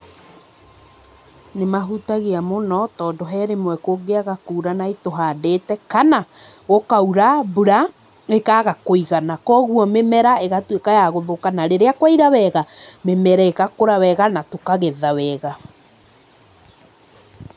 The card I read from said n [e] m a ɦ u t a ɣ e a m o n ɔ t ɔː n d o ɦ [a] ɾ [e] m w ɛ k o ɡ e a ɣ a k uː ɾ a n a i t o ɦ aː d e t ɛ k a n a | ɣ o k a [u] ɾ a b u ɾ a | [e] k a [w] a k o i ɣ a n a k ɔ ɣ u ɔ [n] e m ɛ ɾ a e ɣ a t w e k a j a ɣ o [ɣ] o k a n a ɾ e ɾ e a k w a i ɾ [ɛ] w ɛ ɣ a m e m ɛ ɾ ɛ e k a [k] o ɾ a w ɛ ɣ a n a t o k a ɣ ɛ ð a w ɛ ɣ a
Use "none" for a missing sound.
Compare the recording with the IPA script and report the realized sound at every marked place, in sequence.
e, ɛ, e, u, e, ɣ, m, ð, a, k

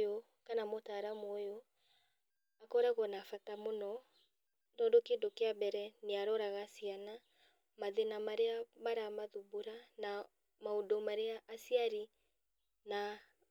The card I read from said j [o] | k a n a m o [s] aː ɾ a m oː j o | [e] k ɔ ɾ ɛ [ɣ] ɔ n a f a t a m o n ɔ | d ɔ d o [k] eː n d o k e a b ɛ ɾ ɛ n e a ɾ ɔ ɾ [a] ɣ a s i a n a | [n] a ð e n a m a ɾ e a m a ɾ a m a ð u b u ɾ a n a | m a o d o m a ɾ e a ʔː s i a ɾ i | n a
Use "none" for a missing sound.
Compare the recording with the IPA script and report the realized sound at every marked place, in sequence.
o, t, a, ɣ, k, a, m

